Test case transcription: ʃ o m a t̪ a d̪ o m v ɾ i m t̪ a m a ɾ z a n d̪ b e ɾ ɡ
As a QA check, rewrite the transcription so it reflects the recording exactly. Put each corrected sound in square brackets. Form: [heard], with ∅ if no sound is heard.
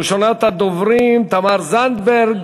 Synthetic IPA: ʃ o [n] a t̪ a d̪ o [∅] v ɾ i m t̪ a m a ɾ z a n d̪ b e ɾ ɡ